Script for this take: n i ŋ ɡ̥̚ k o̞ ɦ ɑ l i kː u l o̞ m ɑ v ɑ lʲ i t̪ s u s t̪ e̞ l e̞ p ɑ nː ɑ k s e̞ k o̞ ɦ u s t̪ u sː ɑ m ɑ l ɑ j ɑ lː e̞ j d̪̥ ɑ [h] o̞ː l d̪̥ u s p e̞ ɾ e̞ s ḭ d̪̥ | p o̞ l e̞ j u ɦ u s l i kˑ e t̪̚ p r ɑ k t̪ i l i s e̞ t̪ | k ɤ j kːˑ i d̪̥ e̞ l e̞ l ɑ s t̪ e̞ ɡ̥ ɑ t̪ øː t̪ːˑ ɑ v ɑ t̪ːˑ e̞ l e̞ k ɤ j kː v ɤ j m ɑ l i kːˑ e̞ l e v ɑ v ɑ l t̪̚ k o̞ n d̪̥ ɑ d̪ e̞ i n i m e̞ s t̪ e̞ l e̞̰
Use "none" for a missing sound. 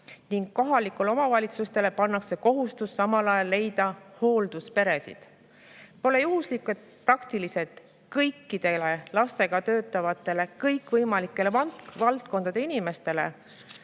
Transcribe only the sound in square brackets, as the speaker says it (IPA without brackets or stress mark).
h